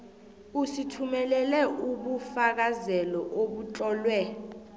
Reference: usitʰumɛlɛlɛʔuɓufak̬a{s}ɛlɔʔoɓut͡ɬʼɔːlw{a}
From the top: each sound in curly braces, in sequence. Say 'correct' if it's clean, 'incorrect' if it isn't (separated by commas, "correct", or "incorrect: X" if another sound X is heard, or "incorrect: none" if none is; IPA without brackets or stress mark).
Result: incorrect: z, incorrect: ɛ